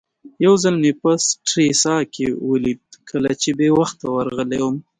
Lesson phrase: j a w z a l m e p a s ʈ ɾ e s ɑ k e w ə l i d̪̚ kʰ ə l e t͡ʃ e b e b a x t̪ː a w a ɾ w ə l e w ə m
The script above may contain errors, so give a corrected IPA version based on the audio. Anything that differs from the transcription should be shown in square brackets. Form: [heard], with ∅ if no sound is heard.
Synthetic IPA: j a w z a l m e p a s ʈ ɾ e s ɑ k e w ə l i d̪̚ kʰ ə l [a] t͡ʃ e b e [w] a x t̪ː a w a ɾ [ɣ] ə l e w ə m